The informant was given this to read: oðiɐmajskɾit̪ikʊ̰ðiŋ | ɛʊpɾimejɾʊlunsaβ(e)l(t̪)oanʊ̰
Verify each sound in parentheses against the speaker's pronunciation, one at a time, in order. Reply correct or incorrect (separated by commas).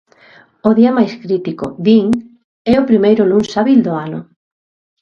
incorrect, incorrect